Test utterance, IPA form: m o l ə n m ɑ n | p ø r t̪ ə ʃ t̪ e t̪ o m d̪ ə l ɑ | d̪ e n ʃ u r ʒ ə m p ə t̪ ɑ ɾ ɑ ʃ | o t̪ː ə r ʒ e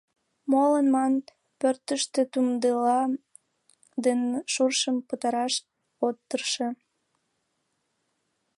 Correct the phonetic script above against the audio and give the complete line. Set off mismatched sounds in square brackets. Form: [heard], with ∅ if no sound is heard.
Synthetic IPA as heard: m o l ə n m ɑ n | p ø r t̪ ə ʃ t̪ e t̪ [u] m d̪ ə l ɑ | d̪ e n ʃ u r [ʃ] ə m p ə t̪ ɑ ɾ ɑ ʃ | o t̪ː ə r [ʃ] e